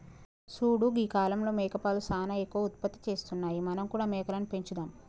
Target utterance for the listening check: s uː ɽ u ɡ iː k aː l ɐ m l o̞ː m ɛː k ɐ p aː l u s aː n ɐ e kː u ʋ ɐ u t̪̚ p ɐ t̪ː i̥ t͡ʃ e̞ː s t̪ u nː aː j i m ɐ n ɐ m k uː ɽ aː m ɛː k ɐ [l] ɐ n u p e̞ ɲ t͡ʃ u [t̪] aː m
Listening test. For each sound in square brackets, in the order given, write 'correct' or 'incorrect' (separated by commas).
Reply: correct, incorrect